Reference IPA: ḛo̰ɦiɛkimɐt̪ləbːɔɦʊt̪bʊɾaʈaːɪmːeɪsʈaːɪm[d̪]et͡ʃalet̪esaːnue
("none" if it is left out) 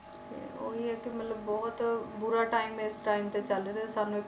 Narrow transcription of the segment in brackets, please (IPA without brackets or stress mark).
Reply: t̪